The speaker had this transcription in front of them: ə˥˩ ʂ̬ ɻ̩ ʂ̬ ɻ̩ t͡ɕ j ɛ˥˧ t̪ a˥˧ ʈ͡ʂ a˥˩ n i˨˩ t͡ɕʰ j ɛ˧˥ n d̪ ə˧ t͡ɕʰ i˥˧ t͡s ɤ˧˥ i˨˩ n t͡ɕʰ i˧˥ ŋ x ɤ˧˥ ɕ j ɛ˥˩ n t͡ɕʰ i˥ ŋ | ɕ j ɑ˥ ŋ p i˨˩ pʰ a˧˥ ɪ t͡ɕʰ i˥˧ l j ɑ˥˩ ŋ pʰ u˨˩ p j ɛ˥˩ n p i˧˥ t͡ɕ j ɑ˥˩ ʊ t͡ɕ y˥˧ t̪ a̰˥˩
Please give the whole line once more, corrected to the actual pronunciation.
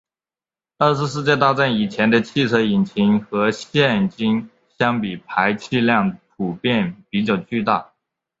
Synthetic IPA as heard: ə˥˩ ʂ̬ ɻ̩ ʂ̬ ɻ̩ t͡ɕ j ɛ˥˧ t̪ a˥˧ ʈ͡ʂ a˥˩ n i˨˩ t͡ɕʰ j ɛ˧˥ n d̪ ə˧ t͡ɕʰ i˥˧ t͡sʰ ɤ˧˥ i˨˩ n t͡ɕʰ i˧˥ ŋ x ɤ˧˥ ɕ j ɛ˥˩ n t͡ɕ i˥ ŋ | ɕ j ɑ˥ ŋ p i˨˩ pʰ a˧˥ ɪ t͡ɕʰ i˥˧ l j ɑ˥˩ ŋ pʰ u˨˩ p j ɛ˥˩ n p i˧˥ t͡ɕ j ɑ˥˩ ʊ t͡ɕ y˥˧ t̪ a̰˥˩

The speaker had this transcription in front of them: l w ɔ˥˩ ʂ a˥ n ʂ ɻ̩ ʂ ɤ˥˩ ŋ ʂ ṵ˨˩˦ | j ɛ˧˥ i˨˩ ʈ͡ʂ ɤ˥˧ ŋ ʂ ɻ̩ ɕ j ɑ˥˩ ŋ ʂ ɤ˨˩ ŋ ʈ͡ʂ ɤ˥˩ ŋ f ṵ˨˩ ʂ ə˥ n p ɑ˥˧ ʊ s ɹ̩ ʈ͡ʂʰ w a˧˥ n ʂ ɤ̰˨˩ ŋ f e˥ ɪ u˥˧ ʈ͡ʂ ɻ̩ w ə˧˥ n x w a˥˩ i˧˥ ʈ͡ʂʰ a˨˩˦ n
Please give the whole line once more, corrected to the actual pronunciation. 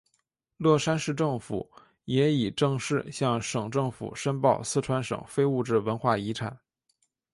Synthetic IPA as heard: l w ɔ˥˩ ʂ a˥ n ʂ ɻ̩ ʈ͡ʂ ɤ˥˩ ŋ f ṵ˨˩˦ | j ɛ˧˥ i˨˩ ʈ͡ʂ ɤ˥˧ ŋ ʂ ɻ̩ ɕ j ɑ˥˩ ŋ ʂ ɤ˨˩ ŋ ʈ͡ʂ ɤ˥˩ ŋ f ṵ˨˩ ʂ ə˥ n p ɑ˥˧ ʊ s ɹ̩ ʈ͡ʂʰ w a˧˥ n ʂ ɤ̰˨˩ ŋ f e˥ ɪ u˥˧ ʈ͡ʂ ɻ̩ w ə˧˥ n x w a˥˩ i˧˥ ʈ͡ʂʰ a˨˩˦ n

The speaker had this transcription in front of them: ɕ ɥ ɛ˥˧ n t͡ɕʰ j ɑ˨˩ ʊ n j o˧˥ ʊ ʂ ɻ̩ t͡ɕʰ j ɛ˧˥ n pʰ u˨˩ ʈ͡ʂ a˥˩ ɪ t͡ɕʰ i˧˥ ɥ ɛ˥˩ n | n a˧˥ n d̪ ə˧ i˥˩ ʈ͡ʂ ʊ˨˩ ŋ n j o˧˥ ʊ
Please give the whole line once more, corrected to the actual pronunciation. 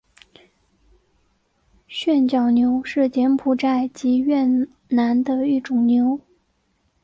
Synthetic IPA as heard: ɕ ɥ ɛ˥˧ n t͡ɕ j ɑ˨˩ ʊ n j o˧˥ ʊ ʂ ɻ̩ t͡ɕ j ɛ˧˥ n pʰ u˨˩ ʈ͡ʂ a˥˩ ɪ t͡ɕ i˧˥ ɥ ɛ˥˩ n | n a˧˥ n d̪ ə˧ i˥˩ ʈ͡ʂ ʊ˨˩ ŋ n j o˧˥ ʊ

